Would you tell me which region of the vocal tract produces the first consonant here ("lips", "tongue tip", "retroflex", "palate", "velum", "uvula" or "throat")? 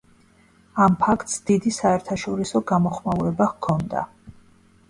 lips